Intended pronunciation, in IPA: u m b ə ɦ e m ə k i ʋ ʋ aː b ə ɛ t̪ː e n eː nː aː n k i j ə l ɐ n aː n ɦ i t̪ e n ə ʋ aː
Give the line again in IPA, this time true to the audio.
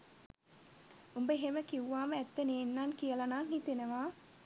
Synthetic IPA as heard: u m b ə ɦ e m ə k i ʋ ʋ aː m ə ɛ t̪ː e n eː nː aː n k i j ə l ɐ n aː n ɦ i t̪ e n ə ʋ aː